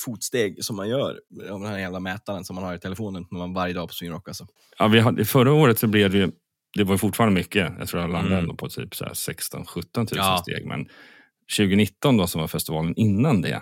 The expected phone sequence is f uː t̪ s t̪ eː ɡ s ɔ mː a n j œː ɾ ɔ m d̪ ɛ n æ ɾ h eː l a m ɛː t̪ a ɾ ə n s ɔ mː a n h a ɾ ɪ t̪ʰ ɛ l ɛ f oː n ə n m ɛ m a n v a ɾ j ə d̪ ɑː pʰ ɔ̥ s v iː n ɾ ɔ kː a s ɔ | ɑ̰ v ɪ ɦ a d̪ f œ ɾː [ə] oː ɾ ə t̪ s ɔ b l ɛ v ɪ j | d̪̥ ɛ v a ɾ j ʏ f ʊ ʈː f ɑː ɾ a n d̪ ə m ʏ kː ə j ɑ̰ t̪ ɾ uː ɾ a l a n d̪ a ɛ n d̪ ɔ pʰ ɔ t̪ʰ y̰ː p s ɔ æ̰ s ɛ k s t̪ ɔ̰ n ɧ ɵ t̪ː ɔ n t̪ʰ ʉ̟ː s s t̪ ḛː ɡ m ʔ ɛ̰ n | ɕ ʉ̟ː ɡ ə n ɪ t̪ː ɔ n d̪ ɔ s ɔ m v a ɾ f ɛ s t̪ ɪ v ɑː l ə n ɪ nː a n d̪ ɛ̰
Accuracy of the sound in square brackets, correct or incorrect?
incorrect